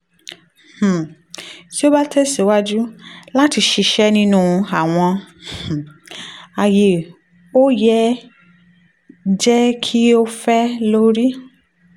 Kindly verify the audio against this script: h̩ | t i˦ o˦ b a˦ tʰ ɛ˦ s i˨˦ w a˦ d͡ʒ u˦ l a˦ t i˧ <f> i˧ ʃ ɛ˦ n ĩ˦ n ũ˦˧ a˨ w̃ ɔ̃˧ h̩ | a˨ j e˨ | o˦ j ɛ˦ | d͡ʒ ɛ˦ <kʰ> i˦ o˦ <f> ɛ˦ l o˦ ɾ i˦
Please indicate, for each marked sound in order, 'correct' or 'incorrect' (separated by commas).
incorrect, correct, correct